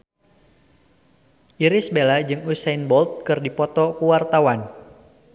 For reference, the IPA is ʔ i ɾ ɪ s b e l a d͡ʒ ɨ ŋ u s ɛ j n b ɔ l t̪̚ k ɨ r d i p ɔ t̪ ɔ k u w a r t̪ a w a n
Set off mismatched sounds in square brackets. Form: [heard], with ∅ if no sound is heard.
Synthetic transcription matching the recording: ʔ i ɾ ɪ s b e l a d͡ʒ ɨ ŋ u s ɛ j n b ɔ l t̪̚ k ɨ r d i p ɔ t̪ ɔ k u w a r t̪ a w a n

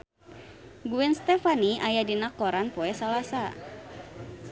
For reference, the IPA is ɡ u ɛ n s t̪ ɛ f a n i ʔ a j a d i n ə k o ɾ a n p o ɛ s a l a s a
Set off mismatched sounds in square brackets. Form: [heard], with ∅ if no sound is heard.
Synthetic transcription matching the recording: ɡ u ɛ n s t̪ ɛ f a n i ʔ a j a d i n [a] k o ɾ a n p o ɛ s a l a s a

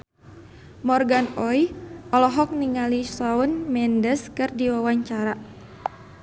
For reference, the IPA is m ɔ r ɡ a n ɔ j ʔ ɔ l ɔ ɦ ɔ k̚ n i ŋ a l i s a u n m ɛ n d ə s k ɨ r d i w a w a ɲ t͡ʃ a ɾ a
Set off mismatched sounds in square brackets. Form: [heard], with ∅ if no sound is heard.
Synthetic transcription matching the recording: m ɔ r ɡ a n ɔ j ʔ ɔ l ɔ ɦ ɔ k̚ n i ŋ a l i s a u n m ɛ n d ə s k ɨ r d i w a w a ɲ t͡ʃ a ɾ a

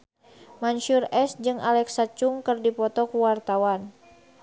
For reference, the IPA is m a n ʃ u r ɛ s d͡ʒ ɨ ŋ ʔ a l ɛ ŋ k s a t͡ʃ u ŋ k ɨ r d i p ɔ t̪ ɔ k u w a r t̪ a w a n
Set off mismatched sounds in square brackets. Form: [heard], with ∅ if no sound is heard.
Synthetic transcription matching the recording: m a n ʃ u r ɛ s d͡ʒ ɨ ŋ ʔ a l ɛ [∅] k s a t͡ʃ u ŋ k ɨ r d i p ɔ t̪ ɔ k u w a r t̪ a w a n

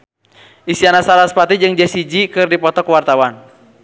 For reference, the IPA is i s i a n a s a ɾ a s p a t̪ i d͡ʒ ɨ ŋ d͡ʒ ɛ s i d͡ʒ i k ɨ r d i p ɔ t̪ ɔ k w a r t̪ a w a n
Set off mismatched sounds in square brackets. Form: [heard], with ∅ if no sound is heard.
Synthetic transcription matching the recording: i s i a n a s a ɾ a s p a t̪ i d͡ʒ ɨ ŋ d͡ʒ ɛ s i d͡ʒ i k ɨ r d i p ɔ t̪ ɔ k w a r t̪ a w a n

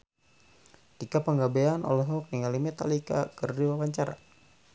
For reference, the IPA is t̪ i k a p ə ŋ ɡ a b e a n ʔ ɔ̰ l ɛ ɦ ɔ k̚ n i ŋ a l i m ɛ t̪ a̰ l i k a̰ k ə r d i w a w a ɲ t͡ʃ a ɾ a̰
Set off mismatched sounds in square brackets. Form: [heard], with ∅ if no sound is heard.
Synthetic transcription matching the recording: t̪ i k a p ə ŋ ɡ a b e a n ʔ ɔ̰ l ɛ ɦ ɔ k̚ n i ŋ a l i m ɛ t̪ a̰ l i k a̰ k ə r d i w a w a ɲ t͡ʃ a ɾ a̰

